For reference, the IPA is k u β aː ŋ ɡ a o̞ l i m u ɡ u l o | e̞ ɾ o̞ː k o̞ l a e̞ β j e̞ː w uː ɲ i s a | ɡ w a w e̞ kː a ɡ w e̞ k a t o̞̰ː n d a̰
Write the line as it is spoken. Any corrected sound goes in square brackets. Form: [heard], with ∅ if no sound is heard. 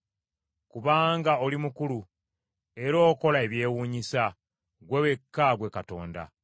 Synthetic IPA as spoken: k u β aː ŋ ɡ a o̞ l i m u [k] u l [u] | e̞ ɾ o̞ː k o̞ l a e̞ β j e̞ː w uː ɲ i s a | ɡ w [e] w e̞ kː a ɡ w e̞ k a t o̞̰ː n d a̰